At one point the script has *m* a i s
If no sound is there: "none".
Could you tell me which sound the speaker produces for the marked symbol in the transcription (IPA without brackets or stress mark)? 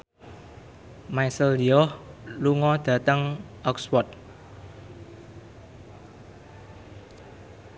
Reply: m